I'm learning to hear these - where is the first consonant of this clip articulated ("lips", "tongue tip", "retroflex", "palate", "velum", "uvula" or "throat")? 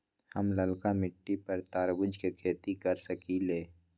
throat